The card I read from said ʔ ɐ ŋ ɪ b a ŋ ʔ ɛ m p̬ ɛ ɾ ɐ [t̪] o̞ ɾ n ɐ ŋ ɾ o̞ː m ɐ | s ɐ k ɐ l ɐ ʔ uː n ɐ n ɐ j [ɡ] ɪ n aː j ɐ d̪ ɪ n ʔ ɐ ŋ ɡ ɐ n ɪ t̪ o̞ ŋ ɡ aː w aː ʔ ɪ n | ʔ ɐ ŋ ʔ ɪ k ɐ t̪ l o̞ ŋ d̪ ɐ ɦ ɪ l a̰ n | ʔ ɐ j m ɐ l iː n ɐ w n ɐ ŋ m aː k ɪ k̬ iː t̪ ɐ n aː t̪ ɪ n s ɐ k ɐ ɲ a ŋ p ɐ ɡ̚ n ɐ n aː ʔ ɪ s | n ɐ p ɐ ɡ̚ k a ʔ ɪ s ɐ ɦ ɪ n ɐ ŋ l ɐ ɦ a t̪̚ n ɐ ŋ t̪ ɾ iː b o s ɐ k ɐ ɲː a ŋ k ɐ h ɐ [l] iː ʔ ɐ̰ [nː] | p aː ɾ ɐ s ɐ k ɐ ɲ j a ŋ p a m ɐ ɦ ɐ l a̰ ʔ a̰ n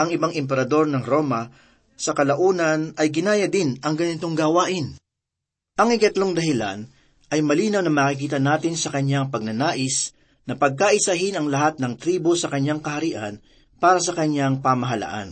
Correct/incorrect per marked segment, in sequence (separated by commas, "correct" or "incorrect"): incorrect, correct, incorrect, incorrect